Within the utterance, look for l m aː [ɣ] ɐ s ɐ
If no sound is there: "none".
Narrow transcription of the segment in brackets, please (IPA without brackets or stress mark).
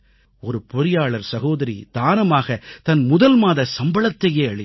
ð